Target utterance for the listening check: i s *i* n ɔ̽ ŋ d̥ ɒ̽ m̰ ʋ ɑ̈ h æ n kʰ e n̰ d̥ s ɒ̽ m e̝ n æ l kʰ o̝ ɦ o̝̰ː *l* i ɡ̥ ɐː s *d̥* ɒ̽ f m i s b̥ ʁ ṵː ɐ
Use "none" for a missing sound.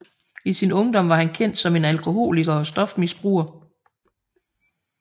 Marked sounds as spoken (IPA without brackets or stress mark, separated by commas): i, l, d̥